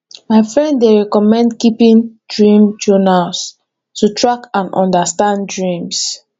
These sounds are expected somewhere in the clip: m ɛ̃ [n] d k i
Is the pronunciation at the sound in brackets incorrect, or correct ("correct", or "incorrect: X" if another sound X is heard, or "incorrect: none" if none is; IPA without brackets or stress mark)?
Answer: correct